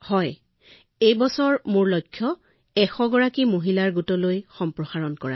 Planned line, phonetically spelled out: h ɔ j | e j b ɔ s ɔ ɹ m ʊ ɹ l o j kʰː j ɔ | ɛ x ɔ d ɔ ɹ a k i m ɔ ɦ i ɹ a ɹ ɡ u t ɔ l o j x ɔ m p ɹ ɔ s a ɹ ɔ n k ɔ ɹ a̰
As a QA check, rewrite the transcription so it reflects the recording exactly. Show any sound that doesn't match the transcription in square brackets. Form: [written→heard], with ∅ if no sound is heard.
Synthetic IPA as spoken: h ɔ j | e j b ɔ s ɔ ɹ m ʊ ɹ l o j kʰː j ɔ | ɛ x ɔ [d→ɡ] ɔ ɹ a k i m [ɔ→o] ɦ i [ɹ→l] a ɹ ɡ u t ɔ l o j x ɔ m p ɹ ɔ [s→x] a ɹ ɔ n k ɔ ɹ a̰